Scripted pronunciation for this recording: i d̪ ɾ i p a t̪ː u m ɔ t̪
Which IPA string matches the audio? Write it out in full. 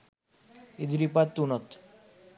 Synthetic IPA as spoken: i d̪ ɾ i p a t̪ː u n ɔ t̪